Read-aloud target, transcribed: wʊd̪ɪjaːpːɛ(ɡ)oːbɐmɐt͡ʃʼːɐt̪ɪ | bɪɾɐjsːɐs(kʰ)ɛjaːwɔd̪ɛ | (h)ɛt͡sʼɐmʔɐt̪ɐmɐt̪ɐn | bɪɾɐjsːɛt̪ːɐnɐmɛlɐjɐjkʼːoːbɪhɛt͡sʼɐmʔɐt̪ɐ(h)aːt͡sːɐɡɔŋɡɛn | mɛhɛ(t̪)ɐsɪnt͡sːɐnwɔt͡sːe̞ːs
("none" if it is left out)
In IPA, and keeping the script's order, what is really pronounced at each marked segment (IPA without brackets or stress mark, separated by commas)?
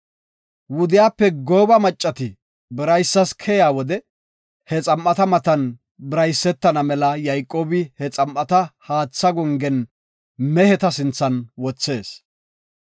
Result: ɡ, kʰ, h, h, t̪